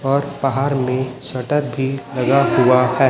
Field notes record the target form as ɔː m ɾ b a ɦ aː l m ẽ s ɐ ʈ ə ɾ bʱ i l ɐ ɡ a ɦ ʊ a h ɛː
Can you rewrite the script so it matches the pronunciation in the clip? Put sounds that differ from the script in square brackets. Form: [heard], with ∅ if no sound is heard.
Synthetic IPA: ɔː [∅] ɾ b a ɦ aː [ɾ] m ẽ s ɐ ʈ ə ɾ bʱ i l ɐ ɡ a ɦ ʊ a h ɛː